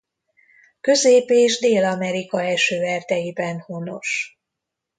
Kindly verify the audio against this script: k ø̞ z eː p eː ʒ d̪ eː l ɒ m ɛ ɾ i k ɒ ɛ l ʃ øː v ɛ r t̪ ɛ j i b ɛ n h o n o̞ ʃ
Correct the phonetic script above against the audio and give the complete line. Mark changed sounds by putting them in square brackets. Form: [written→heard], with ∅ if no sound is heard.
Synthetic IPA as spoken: k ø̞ z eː p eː ʒ d̪ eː l ɒ m ɛ ɾ i k ɒ ɛ l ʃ øː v ɛ r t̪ ɛ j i b ɛ n h o n o̞ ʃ